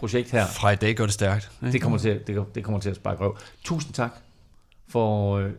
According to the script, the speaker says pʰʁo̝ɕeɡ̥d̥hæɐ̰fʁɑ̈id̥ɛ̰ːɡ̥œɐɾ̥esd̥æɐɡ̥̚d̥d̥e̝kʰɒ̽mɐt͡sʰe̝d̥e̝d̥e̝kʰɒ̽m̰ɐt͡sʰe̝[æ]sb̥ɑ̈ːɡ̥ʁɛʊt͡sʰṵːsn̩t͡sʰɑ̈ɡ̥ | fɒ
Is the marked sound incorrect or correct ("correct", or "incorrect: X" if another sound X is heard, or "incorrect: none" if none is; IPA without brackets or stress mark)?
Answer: correct